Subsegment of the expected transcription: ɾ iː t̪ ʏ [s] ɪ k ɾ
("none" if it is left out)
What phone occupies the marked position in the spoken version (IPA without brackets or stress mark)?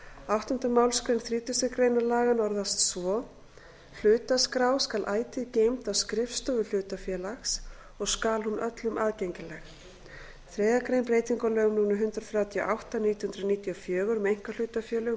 s